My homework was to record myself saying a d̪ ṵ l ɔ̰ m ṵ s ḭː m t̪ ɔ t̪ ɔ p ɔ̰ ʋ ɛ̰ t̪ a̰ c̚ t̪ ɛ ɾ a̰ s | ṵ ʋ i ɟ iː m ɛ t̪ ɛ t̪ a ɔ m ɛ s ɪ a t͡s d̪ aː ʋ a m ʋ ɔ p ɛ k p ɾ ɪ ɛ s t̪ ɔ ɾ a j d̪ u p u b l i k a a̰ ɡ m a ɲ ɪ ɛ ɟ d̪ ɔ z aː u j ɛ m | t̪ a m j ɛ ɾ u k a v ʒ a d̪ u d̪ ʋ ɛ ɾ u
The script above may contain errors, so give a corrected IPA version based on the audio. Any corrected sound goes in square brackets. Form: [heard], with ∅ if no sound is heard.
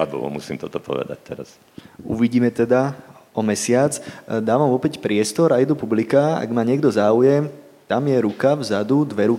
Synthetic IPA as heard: a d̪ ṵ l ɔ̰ m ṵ s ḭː m t̪ ɔ t̪ ɔ p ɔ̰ ʋ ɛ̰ [d̪] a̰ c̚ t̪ ɛ ɾ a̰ s | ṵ ʋ i ɟ iː m ɛ t̪ ɛ [d̪] a ɔ m ɛ s ɪ a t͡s d̪ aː ʋ a m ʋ ɔ p ɛ [c] p ɾ ɪ ɛ s t̪ ɔ ɾ a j d̪ u p u b l i k a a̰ ɡ m a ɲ ɪ ɛ [ɡ] d̪ ɔ z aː u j ɛ m | t̪ a m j ɛ ɾ u k a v [z] a d̪ u d̪ ʋ ɛ ɾ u